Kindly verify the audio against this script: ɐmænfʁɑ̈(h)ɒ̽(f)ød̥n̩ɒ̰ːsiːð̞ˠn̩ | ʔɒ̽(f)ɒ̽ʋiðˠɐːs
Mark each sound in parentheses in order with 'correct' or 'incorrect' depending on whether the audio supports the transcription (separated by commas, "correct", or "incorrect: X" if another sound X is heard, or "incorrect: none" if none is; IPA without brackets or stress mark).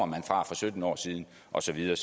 incorrect: f, incorrect: s, incorrect: s